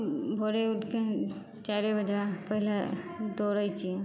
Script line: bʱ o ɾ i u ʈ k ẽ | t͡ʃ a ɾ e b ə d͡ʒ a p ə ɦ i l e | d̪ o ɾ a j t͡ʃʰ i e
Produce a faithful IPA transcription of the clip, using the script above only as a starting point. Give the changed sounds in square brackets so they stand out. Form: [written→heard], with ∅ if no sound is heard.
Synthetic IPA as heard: bʱ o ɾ [i→e] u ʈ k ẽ | t͡ʃ a ɾ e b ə d͡ʒ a p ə ɦ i l [e→a] | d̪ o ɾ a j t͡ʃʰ i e